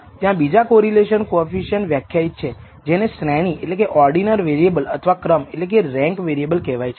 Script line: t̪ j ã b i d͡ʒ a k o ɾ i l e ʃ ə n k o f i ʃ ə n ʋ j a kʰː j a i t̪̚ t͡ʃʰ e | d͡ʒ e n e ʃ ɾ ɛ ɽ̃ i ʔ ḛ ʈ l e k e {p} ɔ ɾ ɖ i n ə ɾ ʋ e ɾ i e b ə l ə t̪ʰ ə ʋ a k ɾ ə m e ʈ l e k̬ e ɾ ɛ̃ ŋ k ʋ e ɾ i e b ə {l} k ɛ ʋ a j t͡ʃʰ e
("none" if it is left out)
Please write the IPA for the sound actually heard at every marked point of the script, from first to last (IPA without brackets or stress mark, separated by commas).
ʔ, l